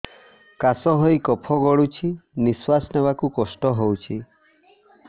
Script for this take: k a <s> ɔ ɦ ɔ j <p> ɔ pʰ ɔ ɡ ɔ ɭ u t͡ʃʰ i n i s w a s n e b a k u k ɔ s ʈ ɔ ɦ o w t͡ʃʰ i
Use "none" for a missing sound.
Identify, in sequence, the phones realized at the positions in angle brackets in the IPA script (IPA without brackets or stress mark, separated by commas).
s, k